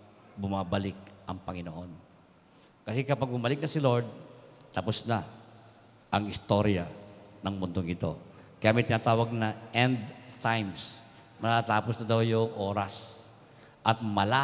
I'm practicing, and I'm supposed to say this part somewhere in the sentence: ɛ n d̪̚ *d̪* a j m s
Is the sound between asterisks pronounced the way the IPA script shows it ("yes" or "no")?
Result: no